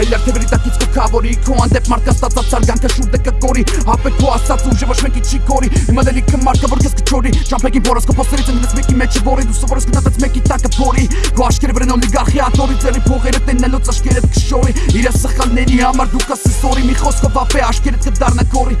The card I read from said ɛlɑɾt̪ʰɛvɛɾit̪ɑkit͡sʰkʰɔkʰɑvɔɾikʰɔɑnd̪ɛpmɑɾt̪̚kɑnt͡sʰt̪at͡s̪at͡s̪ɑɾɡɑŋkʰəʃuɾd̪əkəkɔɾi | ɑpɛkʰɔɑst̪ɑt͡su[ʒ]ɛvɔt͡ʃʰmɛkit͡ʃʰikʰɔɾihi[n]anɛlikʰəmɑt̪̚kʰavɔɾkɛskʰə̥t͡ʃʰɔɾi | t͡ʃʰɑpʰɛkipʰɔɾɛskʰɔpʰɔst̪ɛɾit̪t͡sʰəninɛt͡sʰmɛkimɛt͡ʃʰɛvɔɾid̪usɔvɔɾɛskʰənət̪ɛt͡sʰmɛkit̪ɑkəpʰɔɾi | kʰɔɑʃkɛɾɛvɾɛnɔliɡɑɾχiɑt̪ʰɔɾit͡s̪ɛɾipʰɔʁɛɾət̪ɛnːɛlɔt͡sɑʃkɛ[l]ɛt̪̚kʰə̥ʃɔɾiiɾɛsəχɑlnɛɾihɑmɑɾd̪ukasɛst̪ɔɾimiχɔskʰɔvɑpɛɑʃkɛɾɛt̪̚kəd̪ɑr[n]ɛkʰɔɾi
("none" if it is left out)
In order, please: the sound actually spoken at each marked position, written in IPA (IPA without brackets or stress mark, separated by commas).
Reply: ʒ, m, ɾ, n